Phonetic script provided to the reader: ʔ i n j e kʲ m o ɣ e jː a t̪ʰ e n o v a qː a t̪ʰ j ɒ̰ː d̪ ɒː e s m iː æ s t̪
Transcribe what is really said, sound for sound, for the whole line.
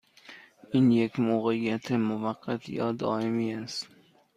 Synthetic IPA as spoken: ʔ i n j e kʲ m o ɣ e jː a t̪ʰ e m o v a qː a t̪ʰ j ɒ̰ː d̪ ɒː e m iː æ s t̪